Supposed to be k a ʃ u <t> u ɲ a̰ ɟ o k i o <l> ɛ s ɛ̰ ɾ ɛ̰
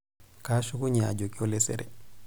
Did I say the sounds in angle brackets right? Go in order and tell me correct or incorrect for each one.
incorrect, correct

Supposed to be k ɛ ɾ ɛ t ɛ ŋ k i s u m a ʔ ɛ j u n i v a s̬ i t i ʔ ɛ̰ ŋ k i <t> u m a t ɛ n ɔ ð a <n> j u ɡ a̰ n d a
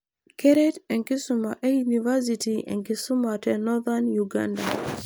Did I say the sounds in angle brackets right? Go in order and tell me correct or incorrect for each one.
incorrect, correct

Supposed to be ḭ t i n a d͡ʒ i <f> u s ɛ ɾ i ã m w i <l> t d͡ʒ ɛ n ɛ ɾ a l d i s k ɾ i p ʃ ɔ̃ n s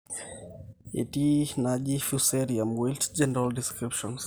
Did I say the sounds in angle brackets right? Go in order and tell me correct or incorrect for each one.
correct, correct

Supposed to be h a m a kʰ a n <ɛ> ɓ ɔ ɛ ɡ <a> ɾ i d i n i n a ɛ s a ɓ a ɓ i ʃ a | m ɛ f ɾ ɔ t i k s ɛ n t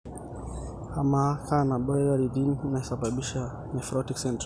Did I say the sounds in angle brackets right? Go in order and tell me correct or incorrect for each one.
incorrect, correct

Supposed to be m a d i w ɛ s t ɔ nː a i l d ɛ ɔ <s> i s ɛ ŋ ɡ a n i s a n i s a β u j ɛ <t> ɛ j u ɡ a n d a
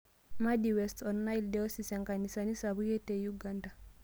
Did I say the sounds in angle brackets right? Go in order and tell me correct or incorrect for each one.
correct, correct

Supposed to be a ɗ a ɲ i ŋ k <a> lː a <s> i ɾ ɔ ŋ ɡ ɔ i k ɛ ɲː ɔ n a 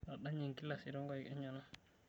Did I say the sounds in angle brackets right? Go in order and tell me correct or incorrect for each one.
incorrect, correct

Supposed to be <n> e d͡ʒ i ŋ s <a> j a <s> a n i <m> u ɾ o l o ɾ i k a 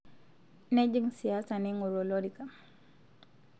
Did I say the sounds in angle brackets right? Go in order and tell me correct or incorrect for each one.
correct, incorrect, correct, incorrect

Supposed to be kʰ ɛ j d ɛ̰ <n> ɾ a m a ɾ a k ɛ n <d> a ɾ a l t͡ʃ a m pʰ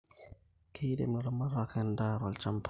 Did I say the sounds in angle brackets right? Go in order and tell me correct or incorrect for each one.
incorrect, correct

